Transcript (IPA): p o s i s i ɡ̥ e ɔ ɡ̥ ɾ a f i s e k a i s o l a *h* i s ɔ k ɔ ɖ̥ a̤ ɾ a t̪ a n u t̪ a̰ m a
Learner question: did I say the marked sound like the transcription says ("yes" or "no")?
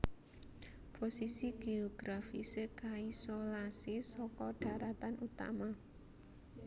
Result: no